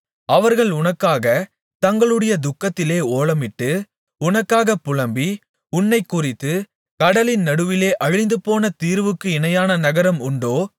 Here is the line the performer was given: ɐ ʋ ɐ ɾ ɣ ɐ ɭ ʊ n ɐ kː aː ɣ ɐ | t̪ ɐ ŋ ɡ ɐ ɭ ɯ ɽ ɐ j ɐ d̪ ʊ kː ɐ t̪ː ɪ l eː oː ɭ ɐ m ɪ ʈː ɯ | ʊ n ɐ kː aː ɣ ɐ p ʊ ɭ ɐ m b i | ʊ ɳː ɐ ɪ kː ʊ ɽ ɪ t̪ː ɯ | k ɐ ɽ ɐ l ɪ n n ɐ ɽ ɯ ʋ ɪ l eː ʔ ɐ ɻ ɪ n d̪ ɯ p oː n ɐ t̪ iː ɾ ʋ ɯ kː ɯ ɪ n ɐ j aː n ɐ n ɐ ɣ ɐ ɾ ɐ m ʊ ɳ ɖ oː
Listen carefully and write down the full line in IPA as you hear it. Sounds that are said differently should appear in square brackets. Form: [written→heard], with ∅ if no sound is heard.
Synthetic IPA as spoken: ɐ ʋ ɐ ɾ ɣ ɐ ɭ ʊ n ɐ kː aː ɣ ɐ | t̪ ɐ ŋ ɡ ɐ ɭ ɯ ɽ ɐ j ɐ d̪ ʊ kː ɐ t̪ː ɪ l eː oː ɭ ɐ m ɪ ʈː ɯ | ʊ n ɐ kː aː ɣ ɐ p ʊ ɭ ɐ m b i | ʊ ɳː ɐ ɪ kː ʊ [ɽ→r] ɪ t̪ː ɯ | k ɐ ɽ ɐ l ɪ n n ɐ ɽ ɯ ʋ ɪ l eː ʔ ɐ ɻ ɪ n d̪ ɯ p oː n ɐ t̪ iː ɾ ʋ ɯ kː ɯ ɪ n ɐ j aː n ɐ n ɐ ɣ ɐ ɾ ɐ m ʊ ɳ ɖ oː